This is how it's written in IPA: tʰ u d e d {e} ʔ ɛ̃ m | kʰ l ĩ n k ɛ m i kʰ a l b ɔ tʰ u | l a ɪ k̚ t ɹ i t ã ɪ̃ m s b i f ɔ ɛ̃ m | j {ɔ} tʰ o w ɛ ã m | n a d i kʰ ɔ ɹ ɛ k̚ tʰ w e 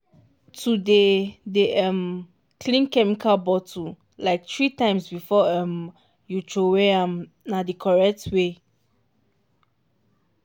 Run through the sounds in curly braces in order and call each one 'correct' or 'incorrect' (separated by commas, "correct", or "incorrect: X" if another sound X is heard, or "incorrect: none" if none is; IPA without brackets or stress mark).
correct, incorrect: u